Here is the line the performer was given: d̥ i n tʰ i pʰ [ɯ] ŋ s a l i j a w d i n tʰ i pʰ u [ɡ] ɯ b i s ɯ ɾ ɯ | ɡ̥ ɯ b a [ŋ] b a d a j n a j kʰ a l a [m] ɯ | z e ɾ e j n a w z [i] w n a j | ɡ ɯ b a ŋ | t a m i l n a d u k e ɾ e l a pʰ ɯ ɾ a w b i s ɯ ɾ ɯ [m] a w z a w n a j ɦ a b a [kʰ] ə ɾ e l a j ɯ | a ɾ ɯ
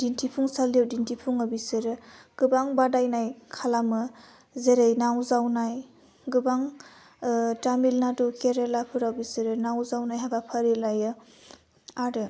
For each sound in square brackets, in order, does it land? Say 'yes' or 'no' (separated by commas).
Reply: no, no, yes, yes, no, no, no